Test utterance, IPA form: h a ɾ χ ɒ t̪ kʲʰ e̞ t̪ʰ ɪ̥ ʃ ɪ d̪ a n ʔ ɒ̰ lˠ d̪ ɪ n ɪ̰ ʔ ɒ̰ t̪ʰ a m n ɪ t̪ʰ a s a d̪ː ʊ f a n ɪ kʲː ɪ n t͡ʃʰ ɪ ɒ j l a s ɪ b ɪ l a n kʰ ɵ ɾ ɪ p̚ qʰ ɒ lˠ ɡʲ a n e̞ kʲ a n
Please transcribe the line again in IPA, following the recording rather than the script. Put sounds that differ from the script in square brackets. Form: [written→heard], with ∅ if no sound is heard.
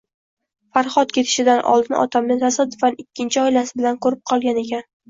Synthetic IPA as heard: [h→f] a ɾ χ ɒ t̪ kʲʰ e̞ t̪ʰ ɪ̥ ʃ ɪ d̪ a n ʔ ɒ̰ lˠ d̪ ɪ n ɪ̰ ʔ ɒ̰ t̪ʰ a m n ɪ t̪ʰ a s a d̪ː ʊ f a n ɪ kʲː ɪ n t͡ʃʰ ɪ ɒ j l a s ɪ b ɪ l a n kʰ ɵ ɾ ɪ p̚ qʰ ɒ lˠ ɡʲ a n e̞ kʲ a n